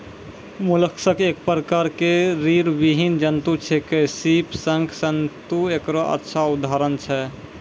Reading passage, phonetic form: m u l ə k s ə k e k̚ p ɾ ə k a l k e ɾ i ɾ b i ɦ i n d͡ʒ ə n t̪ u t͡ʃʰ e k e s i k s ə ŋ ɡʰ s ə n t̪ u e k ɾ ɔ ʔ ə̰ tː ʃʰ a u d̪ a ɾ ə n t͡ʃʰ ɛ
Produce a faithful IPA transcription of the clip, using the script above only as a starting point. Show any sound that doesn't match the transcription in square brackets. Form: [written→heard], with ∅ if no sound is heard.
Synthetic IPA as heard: m u l ə k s ə k e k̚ p ɾ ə k a [l→ɾ] k e ɾ i ɾ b i ɦ i n d͡ʒ ə n t̪ u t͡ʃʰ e k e s i [k→p] s ə ŋ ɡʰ s ə n t̪ u e k ɾ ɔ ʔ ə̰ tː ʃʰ a u d̪ a ɾ ə n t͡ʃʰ ɛ